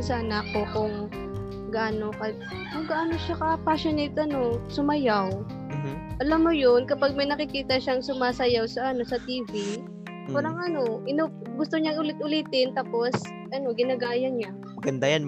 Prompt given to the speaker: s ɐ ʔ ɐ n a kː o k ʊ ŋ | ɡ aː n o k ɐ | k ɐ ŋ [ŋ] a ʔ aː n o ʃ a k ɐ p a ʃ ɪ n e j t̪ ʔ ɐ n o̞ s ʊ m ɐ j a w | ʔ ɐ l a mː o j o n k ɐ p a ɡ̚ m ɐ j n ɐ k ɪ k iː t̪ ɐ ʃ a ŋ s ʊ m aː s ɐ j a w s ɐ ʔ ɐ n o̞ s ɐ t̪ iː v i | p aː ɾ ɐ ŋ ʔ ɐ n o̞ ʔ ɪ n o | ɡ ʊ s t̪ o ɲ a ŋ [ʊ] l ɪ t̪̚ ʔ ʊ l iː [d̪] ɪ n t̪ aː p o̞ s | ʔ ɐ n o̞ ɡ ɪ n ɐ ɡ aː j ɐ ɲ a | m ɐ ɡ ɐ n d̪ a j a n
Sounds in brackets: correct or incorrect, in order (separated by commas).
incorrect, correct, incorrect